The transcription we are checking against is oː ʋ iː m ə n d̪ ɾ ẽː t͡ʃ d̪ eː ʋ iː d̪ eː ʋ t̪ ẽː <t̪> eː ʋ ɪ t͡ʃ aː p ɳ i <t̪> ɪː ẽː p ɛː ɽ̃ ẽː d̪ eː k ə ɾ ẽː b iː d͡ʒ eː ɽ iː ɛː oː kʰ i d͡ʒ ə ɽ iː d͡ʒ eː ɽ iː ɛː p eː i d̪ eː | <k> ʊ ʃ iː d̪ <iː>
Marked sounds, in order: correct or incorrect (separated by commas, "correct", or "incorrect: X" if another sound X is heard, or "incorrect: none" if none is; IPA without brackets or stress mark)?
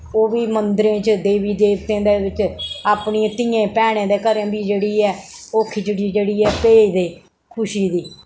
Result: incorrect: d̪, correct, incorrect: kʰ, correct